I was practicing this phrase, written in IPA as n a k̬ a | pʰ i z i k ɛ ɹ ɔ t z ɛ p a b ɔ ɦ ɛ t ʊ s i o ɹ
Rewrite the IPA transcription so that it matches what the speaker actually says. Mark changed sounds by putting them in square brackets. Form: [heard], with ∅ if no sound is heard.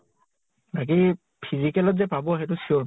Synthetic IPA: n a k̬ [i] | pʰ i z i k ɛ [l] ɔ t z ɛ p a b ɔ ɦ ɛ t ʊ s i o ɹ